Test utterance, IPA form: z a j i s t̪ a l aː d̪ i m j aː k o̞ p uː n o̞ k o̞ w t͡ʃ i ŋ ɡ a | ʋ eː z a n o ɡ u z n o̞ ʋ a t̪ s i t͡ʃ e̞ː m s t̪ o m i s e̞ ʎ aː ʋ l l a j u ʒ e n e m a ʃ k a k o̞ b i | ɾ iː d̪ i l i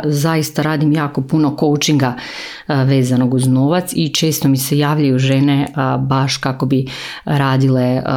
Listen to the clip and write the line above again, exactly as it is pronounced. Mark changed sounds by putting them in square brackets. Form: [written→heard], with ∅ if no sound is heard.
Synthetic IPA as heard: z a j i s t̪ a [l→ɾ] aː d̪ i m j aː k o̞ p [uː→u] n o̞ k o̞ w t͡ʃ i ŋ ɡ a | ʋ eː z a n o ɡ u z n o̞ ʋ a t̪ s i t͡ʃ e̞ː [m→∅] s t̪ o m i s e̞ [ʎ→j] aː ʋ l [l→ʎ] a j u ʒ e n e [m→b] a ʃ k a k o̞ b i | ɾ [iː→aː] d̪ i l [i→e]